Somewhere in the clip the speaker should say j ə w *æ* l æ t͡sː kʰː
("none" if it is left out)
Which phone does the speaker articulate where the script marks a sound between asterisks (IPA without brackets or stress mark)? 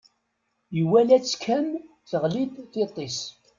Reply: æ